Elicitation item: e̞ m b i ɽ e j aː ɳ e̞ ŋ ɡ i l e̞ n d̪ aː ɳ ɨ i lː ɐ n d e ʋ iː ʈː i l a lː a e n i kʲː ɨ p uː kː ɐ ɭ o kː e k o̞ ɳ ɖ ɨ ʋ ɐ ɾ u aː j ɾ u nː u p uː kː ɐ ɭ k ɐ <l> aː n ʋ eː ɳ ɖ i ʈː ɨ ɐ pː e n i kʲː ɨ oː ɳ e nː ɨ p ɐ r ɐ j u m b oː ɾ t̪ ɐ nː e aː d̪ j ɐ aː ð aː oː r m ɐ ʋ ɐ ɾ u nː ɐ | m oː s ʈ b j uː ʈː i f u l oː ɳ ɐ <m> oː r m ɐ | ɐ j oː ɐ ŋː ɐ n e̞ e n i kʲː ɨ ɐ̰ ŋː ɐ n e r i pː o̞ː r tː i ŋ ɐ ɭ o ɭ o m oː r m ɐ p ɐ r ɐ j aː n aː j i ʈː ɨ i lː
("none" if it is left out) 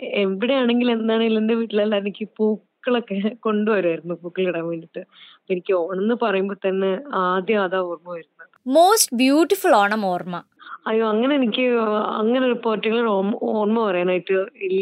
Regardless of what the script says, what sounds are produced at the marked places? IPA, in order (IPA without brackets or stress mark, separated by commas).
ɽ, m